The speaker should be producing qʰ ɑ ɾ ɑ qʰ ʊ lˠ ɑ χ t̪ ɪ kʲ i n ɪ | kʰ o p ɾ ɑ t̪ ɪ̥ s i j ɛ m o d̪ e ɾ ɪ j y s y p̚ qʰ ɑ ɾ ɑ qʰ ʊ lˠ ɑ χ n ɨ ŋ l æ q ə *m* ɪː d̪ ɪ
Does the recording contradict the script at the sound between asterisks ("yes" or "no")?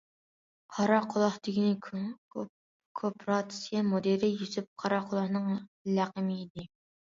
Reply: no